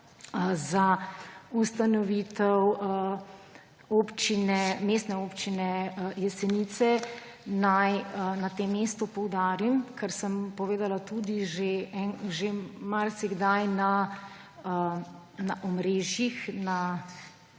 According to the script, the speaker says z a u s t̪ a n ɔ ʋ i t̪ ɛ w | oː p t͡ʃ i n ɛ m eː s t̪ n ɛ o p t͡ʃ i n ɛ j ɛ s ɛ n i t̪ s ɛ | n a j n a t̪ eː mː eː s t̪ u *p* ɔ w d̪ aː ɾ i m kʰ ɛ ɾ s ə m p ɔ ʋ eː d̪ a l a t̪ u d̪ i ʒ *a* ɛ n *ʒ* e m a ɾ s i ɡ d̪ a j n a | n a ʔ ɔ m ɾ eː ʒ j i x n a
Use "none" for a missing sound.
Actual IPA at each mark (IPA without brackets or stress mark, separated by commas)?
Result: p, e, ʒ